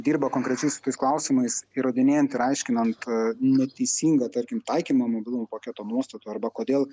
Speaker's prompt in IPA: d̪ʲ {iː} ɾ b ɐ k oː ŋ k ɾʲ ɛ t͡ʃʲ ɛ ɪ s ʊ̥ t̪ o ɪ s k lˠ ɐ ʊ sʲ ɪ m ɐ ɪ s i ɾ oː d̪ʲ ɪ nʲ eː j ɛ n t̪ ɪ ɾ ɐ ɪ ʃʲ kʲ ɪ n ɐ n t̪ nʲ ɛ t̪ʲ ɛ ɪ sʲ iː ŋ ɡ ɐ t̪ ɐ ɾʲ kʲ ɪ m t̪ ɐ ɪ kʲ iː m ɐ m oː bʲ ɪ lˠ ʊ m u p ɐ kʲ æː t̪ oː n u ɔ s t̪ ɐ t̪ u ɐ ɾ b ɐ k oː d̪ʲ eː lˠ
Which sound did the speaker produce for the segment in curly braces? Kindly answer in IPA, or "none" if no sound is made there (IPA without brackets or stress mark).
iː